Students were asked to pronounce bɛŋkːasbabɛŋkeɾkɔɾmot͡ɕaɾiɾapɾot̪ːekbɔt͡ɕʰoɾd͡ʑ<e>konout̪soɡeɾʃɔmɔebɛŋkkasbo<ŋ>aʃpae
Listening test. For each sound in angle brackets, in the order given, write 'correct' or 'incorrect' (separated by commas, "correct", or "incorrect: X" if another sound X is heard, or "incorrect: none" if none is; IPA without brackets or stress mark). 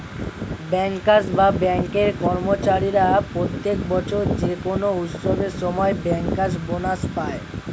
correct, incorrect: n